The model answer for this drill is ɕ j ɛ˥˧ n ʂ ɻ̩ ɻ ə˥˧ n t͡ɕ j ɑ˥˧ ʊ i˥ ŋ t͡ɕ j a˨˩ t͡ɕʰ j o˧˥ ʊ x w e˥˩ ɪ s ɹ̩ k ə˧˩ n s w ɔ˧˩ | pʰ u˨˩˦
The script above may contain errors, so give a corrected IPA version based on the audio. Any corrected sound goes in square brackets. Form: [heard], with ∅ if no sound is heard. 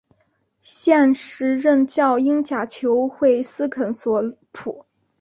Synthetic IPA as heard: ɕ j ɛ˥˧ n ʂ ɻ̩ ɻ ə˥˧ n t͡ɕ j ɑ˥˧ ʊ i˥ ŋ t͡ɕ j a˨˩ t͡ɕʰ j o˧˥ ʊ x w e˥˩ ɪ s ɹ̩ [kʰ] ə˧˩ n s w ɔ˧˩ | pʰ u˨˩˦